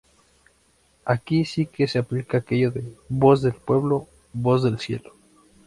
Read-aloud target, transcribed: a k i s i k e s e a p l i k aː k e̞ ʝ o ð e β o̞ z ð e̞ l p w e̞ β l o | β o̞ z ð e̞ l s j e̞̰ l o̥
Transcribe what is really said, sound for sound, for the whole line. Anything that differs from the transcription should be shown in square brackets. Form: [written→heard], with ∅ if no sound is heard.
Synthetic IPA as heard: a k i s i k e s e a p l i k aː k e̞ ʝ o ð e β o̞ z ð e̞ l p w e̞ β l o | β o̞ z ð e̞ l s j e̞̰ l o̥